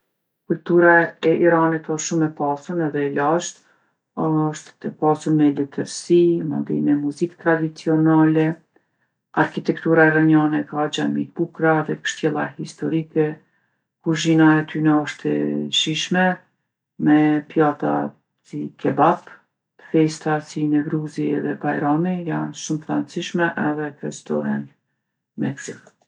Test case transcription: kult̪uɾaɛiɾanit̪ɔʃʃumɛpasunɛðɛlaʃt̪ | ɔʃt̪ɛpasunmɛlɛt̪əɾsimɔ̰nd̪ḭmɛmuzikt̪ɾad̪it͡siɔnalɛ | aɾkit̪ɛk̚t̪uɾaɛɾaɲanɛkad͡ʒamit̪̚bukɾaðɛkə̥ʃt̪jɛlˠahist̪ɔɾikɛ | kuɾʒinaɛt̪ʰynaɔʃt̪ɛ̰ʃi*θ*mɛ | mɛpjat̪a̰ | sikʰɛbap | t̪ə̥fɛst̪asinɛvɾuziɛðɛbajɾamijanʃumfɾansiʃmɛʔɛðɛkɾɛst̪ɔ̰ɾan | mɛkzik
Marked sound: incorrect: ʃ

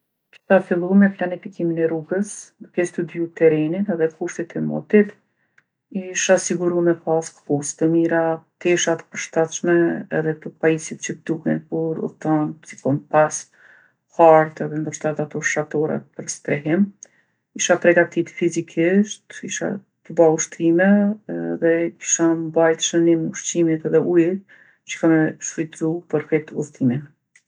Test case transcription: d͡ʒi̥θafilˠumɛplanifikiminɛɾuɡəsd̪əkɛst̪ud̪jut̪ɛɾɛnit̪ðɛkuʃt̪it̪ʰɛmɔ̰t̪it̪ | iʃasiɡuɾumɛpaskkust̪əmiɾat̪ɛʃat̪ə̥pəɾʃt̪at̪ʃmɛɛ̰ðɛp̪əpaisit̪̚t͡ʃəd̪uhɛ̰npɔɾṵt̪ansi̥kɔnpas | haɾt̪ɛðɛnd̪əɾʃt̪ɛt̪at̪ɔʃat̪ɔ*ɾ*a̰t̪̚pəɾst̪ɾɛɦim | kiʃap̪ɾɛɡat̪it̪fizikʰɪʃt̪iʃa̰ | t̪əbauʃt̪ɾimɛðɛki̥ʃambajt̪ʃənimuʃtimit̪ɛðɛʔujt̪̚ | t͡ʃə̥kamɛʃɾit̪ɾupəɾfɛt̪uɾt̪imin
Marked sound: correct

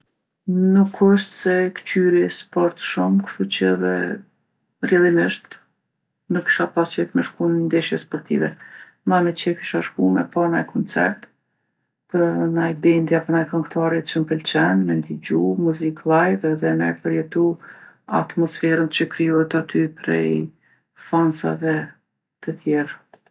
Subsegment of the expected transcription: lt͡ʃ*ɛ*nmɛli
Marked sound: correct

